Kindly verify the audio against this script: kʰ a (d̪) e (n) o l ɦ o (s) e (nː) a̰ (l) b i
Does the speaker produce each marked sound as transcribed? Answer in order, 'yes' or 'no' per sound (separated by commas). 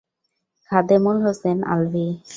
yes, no, yes, no, yes